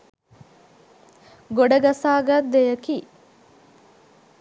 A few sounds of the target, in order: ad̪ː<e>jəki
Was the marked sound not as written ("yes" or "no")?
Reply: no